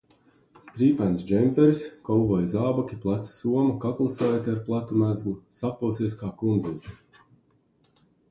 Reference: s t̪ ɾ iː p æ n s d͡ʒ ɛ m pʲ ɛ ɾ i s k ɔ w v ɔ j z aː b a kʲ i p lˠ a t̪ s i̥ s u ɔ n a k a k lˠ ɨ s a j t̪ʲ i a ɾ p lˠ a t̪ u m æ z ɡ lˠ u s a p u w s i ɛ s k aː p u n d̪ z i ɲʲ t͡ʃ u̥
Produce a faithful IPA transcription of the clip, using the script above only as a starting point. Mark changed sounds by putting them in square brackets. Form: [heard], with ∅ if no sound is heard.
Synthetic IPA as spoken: s t̪ ɾ iː p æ n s d͡ʒ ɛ m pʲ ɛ ɾ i s k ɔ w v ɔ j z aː b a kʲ i p lˠ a t̪ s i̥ s u ɔ [m] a k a k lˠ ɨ s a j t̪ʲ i a ɾ p lˠ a t̪ u m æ z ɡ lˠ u s a p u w s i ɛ s k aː [k] u n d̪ z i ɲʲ t͡ʃ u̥